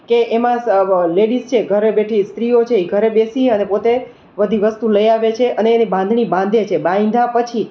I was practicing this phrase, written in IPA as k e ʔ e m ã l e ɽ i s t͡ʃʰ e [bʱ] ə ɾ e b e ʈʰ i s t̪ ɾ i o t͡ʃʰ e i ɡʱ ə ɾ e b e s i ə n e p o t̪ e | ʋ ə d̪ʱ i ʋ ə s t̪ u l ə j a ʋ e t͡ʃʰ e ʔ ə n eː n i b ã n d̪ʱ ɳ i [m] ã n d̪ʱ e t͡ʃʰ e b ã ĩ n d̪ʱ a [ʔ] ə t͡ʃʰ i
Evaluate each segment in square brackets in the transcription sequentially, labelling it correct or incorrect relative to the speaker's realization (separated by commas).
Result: incorrect, incorrect, incorrect